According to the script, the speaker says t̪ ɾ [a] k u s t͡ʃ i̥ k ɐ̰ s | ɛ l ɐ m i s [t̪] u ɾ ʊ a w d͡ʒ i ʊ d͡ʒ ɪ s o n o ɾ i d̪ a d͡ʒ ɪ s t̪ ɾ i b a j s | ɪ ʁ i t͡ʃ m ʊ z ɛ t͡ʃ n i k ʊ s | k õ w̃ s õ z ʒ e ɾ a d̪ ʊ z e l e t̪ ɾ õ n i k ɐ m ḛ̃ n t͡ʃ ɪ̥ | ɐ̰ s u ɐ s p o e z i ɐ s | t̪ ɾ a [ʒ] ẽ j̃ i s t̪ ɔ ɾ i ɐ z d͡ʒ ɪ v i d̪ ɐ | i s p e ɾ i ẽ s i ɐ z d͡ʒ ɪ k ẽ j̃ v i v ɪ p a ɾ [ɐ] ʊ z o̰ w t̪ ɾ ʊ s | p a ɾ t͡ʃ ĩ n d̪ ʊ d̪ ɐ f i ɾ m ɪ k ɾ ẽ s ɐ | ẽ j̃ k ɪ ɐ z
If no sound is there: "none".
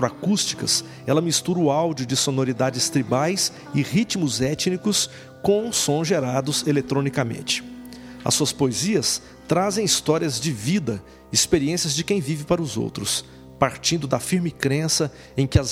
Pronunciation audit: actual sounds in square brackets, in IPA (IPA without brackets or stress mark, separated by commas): a, t̪, z, ɐ